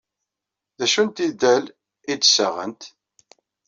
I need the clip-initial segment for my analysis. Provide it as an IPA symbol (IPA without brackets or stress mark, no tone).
ð